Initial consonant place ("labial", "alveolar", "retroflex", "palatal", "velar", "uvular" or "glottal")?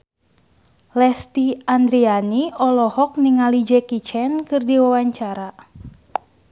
alveolar